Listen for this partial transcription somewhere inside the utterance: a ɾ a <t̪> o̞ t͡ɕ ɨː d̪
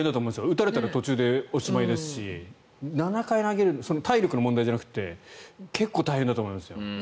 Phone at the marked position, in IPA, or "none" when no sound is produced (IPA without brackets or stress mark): t̪